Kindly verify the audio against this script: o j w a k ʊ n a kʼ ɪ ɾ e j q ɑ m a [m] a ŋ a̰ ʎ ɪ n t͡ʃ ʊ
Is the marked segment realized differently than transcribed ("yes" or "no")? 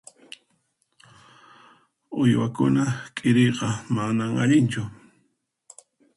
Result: yes